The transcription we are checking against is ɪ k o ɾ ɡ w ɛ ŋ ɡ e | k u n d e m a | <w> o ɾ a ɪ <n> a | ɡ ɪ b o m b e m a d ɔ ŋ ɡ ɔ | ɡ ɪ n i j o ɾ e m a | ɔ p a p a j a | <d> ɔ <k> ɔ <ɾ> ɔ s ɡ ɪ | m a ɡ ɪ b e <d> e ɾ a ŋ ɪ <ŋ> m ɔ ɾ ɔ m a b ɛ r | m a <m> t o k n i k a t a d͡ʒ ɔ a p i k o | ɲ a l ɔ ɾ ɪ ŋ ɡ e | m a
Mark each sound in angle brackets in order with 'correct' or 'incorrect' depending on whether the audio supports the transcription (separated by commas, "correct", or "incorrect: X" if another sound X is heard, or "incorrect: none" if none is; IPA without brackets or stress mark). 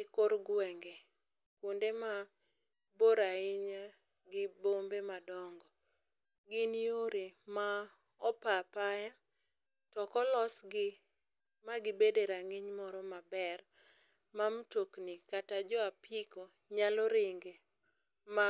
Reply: incorrect: b, incorrect: ɲ, incorrect: t, correct, incorrect: l, correct, incorrect: ɲ, correct